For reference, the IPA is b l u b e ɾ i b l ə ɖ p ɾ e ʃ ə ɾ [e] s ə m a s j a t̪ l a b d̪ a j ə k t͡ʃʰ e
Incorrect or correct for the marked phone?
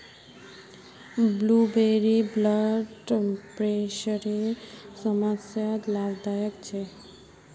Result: correct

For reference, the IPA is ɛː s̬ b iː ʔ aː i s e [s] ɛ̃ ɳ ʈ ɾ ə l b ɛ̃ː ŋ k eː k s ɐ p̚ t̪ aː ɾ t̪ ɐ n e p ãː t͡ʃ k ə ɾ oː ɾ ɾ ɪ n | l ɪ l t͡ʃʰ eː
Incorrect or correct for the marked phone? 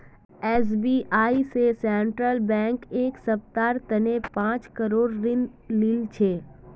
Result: correct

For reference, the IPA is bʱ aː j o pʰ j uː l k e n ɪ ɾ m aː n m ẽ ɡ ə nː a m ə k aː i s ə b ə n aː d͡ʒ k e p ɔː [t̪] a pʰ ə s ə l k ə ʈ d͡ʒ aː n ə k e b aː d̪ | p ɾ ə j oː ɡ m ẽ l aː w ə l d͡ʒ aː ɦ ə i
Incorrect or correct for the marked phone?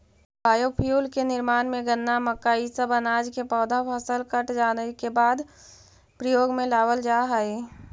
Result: incorrect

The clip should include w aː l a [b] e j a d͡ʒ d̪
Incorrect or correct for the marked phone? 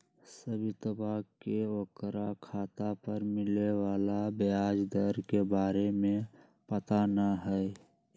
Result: correct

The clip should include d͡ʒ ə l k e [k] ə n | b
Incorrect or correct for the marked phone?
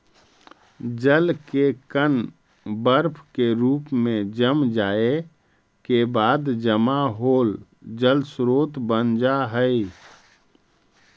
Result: correct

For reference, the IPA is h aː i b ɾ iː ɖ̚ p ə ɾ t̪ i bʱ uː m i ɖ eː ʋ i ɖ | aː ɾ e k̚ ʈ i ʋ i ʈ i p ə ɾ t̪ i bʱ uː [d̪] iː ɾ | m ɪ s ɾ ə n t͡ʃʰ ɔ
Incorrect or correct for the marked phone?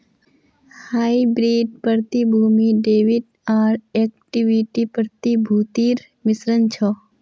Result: incorrect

